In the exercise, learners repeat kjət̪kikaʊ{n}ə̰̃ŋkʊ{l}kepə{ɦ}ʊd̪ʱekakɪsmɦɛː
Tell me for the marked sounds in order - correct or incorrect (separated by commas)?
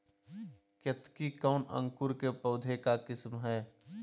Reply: correct, incorrect, incorrect